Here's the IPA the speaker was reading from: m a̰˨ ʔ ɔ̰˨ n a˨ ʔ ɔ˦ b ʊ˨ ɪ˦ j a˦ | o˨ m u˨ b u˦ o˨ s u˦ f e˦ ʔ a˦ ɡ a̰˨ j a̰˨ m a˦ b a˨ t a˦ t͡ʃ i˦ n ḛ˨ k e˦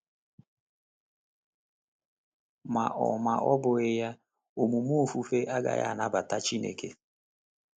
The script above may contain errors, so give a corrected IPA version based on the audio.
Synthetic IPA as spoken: m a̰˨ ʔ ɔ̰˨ m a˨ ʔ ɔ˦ b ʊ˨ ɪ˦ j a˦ | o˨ m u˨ m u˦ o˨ f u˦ f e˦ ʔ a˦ ɡ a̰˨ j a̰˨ n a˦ b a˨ t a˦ t͡ʃ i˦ n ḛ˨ k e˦